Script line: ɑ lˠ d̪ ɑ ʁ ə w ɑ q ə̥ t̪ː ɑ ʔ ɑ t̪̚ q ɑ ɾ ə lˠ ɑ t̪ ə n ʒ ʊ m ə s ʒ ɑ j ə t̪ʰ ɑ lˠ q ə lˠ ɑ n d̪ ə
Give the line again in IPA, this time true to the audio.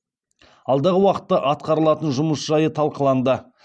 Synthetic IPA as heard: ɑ lˠ d̪ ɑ ʁ ə w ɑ q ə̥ t̪ː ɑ ʔ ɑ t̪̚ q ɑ ɾ ə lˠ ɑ t̪ ə n ʒ ʊ m ə s ʒ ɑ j ə t̪ʰ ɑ lˠ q ə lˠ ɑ n d̪ ə

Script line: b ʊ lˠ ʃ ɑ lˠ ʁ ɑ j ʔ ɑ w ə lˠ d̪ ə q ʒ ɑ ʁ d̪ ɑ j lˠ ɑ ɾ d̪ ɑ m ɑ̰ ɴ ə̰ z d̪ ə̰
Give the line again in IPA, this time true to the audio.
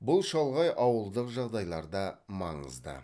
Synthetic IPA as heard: b ʊ lˠ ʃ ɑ lˠ ʁ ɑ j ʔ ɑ w ə lˠ d̪ ə q ʒ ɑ ʁ d̪ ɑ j lˠ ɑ ɾ d̪ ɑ m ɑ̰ ɴ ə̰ z d̪ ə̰

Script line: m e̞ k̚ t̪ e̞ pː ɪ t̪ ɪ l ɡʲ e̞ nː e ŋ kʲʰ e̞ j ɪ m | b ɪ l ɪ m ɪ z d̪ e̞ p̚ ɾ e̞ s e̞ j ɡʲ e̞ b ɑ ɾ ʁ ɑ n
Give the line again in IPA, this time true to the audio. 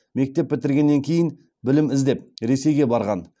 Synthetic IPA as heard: m e̞ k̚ t̪ e̞ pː ɪ t̪ ɪ ɾ ɡʲ e̞ nː e ŋ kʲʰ e̞ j ɪ n | b ɪ l ɪ m ɪ z d̪ e̞ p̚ ɾ e̞ s e̞ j ɡʲ e̞ b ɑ ɾ ʁ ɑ n

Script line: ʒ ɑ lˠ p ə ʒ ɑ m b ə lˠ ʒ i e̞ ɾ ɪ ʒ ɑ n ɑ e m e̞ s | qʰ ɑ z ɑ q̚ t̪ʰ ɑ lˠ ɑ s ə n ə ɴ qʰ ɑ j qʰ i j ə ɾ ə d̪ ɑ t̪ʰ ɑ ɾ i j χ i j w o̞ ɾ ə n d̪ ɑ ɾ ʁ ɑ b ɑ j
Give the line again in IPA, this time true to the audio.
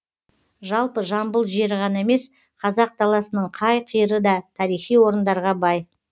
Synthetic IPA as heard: ʒ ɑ lˠ p ə ʒ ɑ m b ə lˠ ʒ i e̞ ɾ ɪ ʁ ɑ n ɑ e m e̞ s | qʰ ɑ z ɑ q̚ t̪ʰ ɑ lˠ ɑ s ə n ə ɴ qʰ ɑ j qʰ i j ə ɾ ə d̪ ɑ t̪ʰ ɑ ɾ i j χ i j w o̞ ɾ ə n d̪ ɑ ɾ ʁ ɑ b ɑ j

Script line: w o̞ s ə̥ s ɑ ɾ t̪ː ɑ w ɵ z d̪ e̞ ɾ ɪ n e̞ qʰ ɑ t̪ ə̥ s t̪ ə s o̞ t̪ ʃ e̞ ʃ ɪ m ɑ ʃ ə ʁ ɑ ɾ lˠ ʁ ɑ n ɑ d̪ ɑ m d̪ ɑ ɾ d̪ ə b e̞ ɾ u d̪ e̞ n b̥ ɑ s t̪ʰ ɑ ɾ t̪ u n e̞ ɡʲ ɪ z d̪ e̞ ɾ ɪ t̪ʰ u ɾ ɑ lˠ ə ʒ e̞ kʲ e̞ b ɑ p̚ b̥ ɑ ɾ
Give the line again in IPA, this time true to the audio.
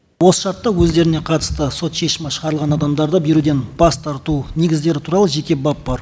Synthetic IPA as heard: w o̞ s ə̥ ʃ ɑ ɾ t̪ː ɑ w ɵ z d̪ e̞ ɾ ɪ n e̞ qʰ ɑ t̪ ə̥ s t̪ ə s o̞ t̪ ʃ e̞ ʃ ɪ m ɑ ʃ ə ʁ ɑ ɾ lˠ ʁ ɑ n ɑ d̪ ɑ m d̪ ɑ ɾ d̪ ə b e̞ ɾ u d̪ e̞ n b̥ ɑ s t̪ʰ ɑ ɾ t̪ u n e̞ ɡʲ ɪ z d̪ e̞ ɾ ɪ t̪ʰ u ɾ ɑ lˠ ə ʒ e̞ kʲ e̞ b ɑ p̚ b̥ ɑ ɾ

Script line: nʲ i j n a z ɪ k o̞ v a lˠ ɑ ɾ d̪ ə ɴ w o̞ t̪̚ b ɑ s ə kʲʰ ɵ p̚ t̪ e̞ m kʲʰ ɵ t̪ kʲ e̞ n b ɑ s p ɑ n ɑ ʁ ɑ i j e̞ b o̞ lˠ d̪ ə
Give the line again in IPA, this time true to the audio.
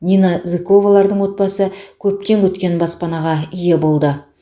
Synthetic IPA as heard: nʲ i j n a z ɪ k o̞ v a lˠ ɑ ɾ d̪ ə ɴ w o̞ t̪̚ b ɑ s ə kʲʰ ɵ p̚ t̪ e̞ ŋ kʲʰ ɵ t̪ kʲ e̞ n b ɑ s p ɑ n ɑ ʁ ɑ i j e̞ b o̞ lˠ d̪ ə

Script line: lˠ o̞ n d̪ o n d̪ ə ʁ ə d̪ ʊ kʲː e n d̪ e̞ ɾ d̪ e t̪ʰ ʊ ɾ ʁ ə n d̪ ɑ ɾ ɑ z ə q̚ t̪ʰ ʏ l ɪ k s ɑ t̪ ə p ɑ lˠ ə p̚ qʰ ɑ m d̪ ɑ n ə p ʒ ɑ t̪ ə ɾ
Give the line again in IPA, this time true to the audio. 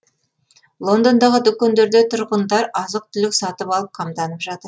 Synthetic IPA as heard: lˠ o̞ n d̪ o n d̪ ɑ ʁ ə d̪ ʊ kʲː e n d̪ e̞ ɾ d̪ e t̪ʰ ʊ ɾ ʁ ə n d̪ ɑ ɾ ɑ z ə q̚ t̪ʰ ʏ l ɪ k s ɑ t̪ ə p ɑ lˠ ə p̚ qʰ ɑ m d̪ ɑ n ə p ʒ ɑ t̪ ə ɾ

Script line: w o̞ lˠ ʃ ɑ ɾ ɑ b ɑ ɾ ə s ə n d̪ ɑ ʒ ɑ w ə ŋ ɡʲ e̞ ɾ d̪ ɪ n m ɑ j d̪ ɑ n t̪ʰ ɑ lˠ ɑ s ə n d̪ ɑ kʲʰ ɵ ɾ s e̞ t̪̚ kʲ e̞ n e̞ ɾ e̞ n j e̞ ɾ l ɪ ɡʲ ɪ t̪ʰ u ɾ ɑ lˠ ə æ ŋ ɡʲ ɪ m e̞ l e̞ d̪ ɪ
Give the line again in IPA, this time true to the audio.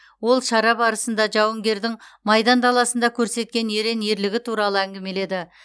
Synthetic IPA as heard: w o̞ lˠ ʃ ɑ ɾ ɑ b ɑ ɾ ə s ə n d̪ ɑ ʒ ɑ w ə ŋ ɡʲ e̞ ɾ d̪ ɪ ŋ m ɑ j d̪ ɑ n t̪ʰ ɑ lˠ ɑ s ə n d̪ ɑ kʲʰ ɵ ɾ s e̞ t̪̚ kʲ e̞ n e̞ ɾ e̞ n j e̞ ɾ l ɪ ɡʲ ɪ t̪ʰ u ɾ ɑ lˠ ə æ ŋ ɡʲ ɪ m e̞ l e̞ d̪ ɪ

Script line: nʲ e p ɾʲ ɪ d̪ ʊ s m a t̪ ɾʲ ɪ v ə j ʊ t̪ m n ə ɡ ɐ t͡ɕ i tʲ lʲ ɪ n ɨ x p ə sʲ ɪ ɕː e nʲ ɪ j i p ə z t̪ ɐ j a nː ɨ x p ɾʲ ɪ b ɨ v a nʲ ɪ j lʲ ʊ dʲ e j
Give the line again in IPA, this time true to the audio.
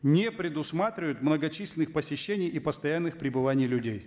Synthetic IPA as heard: nʲ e p ɾʲ ɪ d̪ ʊ s m a t̪ ɾʲ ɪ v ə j ʊ t̪ m n ə ɡ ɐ t͡ɕ i sʲ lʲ ɪ n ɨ x p ə sʲ ɪ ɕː e nʲ ɪ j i p ə s t̪ ɐ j a nː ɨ x p ɾʲ ɪ b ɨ v a nʲ ɪ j lʲ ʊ dʲ e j

